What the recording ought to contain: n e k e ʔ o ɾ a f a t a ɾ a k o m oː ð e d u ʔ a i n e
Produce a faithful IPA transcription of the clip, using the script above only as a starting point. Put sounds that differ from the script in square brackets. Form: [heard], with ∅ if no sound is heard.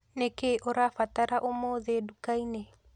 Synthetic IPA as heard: n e k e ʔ o ɾ a f a t a ɾ a [ʔ] o m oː ð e d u [k] a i n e